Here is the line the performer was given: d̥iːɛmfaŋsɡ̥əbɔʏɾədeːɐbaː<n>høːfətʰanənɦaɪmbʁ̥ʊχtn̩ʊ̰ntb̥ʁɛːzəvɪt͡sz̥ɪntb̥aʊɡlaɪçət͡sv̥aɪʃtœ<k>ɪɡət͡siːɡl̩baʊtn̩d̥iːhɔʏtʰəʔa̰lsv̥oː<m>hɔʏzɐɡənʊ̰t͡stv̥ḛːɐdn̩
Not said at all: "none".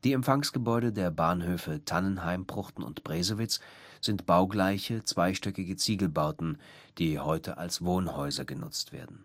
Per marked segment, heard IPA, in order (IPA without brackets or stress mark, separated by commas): n, k, n